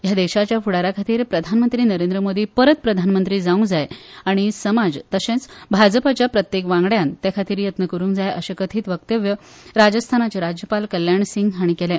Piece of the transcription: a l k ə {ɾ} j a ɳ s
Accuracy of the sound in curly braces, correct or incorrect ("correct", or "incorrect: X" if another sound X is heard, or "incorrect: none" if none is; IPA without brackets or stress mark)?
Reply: incorrect: l